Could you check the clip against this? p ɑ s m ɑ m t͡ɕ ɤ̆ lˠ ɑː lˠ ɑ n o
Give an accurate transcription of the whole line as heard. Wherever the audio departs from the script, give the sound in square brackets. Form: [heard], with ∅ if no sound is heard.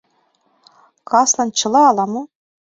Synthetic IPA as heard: [k] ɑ s [n] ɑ [n] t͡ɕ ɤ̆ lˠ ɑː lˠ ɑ [m] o